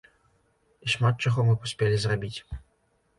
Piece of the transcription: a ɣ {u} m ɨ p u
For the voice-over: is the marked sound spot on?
no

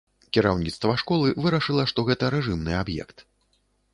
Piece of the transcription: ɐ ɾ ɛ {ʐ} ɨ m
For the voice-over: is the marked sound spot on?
yes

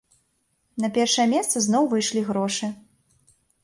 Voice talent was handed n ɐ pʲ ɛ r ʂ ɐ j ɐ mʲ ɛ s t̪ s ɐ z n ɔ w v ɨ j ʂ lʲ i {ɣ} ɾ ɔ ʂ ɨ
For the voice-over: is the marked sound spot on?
yes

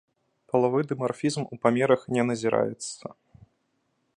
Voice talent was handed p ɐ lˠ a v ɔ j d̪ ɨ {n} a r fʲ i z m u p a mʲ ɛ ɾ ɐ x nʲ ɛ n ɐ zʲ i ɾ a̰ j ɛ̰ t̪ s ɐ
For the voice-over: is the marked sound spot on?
no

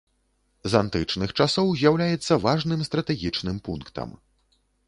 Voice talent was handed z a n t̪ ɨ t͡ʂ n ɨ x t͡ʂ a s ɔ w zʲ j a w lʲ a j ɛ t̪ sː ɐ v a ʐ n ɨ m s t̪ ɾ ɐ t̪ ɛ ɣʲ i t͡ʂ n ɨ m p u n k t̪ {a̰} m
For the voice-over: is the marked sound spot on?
no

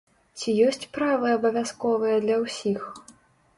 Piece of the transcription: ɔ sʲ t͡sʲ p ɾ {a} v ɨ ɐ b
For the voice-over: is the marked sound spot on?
yes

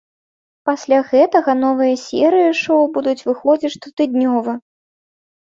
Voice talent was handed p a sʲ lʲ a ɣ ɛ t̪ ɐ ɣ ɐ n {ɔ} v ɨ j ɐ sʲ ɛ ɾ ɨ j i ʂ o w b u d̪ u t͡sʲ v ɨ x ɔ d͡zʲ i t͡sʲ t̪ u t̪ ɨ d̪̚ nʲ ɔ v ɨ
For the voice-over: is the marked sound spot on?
yes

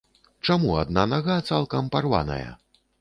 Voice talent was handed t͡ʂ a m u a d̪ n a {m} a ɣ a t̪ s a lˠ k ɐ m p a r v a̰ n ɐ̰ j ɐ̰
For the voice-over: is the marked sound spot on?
no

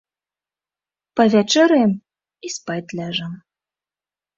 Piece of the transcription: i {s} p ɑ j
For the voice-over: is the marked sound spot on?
yes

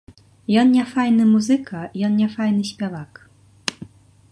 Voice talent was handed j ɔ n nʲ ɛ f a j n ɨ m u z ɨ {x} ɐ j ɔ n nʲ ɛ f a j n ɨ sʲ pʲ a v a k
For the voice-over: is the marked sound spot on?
no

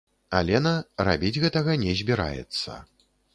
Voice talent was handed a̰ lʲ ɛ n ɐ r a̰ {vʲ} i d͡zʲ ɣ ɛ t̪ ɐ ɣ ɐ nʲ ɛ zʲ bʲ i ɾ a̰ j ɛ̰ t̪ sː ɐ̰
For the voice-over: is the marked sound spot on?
no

